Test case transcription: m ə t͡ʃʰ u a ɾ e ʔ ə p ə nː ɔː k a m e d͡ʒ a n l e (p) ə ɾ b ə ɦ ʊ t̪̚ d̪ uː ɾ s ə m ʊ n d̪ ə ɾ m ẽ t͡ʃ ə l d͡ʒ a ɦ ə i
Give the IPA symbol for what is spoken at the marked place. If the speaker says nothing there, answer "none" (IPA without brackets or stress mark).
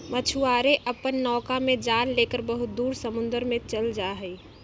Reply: k